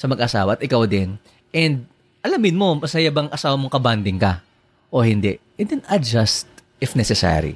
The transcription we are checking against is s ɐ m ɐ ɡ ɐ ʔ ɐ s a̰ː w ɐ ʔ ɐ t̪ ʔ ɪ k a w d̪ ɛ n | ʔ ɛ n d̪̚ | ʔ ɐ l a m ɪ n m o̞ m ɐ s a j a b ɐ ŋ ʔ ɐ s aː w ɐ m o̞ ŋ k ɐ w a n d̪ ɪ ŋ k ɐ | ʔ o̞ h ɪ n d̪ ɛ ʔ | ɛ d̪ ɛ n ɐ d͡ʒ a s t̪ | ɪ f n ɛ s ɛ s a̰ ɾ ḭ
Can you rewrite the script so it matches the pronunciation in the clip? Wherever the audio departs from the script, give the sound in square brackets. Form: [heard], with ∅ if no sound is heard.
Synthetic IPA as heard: s ɐ m ɐ ɡ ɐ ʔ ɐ s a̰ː w ɐ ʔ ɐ t̪ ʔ ɪ k a w d̪ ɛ n | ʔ ɛ n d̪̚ | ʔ ɐ l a m ɪ n m o̞ m ɐ s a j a b ɐ ŋ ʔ ɐ s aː w ɐ m o̞ ŋ k ɐ [b] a n d̪ ɪ ŋ k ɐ | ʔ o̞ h ɪ n d̪ ɛ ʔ | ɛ d̪ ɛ n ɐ d͡ʒ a s t̪ | ɪ f n ɛ s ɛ s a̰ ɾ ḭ